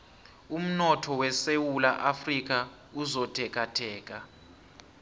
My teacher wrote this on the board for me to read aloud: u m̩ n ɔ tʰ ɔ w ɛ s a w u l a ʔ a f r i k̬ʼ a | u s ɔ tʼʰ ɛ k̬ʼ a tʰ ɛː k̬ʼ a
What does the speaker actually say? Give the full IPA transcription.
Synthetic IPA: u m̩ n ɔ tʰ ɔ w ɛ s e w u l a ʔ a f r i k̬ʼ a | u z ɔ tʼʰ ɛ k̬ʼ a tʰ ɛː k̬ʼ a